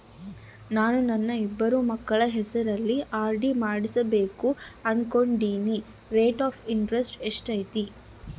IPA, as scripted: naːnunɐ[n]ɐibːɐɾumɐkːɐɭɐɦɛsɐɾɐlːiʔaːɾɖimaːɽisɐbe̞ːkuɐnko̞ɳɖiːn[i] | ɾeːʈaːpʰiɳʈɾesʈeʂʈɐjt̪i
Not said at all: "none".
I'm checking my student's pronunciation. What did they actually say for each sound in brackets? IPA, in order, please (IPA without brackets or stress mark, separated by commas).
nː, i